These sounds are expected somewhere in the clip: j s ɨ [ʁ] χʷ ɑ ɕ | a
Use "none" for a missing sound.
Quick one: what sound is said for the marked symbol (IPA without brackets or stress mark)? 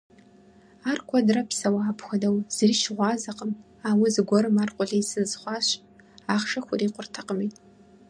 z